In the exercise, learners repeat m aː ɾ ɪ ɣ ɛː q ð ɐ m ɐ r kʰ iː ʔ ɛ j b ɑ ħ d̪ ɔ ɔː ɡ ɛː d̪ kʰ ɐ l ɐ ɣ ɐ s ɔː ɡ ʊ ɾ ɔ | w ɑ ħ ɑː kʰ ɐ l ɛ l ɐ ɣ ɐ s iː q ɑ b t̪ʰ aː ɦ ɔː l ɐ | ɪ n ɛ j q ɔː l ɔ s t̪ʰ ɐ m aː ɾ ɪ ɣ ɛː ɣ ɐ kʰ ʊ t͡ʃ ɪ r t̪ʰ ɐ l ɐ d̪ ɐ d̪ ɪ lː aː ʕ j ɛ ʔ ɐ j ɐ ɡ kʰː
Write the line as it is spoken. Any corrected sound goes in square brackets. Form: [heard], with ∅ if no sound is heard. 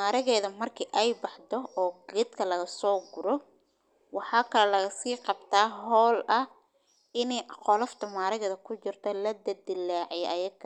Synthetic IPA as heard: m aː ɾ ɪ ɣ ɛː [∅] ð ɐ m ɐ r kʰ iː ʔ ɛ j b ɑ ħ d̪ ɔ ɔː ɡ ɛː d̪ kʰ ɐ l ɐ ɣ ɐ s ɔː ɡ ʊ ɾ ɔ | w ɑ ħ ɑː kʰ ɐ l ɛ l ɐ ɣ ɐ s iː q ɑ b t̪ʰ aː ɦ ɔː l ɐ | ɪ n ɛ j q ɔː l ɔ [f] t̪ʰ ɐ m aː ɾ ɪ ɣ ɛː [ð] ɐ kʰ ʊ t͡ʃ ɪ r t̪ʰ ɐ l ɐ d̪ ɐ d̪ ɪ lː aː ʕ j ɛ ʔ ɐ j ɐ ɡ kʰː